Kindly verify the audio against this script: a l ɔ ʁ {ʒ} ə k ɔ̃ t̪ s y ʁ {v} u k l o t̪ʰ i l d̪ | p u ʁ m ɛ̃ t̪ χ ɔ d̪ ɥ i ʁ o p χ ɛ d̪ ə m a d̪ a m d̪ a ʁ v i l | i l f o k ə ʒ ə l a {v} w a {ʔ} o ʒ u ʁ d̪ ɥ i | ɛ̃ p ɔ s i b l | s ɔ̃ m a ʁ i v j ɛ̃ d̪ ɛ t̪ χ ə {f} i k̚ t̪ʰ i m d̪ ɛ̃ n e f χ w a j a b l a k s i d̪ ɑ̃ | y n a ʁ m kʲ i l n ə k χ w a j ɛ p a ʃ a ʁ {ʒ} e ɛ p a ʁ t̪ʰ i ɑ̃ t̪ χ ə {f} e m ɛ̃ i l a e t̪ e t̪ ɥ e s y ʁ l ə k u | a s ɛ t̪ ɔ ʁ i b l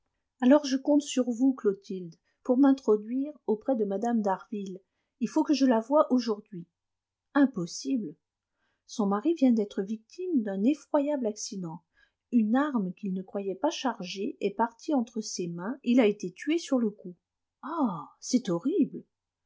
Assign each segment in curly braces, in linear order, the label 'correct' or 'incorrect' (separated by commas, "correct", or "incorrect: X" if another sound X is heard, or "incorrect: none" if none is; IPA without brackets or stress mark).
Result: correct, correct, correct, correct, incorrect: v, correct, incorrect: s